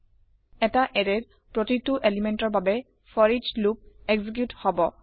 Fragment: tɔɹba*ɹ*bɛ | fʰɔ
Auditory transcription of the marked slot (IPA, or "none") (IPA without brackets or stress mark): none